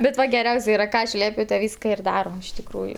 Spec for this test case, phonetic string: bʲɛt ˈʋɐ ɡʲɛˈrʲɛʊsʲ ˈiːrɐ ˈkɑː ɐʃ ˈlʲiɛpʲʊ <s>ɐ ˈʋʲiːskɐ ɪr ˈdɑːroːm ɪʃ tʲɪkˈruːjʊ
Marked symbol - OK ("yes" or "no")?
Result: no